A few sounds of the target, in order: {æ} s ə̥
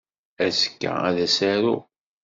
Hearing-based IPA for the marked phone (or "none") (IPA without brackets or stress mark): æ